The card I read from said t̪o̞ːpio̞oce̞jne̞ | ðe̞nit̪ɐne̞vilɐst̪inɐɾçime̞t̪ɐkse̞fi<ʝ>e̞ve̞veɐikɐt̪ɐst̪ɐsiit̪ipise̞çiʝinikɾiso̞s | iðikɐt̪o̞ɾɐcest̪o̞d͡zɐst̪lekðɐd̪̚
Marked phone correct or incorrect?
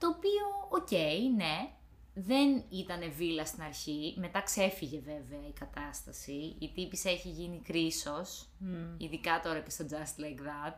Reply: correct